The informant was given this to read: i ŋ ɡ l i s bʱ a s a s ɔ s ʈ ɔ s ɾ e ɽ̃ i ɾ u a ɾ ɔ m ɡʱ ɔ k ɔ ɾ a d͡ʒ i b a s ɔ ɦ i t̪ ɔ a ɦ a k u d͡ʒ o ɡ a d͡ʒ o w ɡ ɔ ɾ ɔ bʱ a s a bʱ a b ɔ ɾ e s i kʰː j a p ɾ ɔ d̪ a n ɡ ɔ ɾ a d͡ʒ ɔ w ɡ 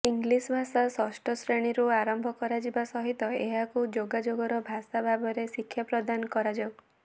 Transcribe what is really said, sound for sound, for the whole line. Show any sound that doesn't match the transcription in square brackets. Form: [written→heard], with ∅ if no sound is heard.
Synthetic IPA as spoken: i ŋ ɡ l i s bʱ a s a s ɔ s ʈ ɔ s ɾ e ɽ̃ i ɾ u a ɾ ɔ m [ɡʱ→bʱ] ɔ k ɔ ɾ a d͡ʒ i b a s ɔ ɦ i t̪ ɔ [a→e] ɦ a k u d͡ʒ o ɡ a d͡ʒ o [w→∅] ɡ ɔ ɾ ɔ bʱ a s a bʱ a b ɔ ɾ e s i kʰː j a p ɾ ɔ d̪ a n [ɡ→k] ɔ ɾ a d͡ʒ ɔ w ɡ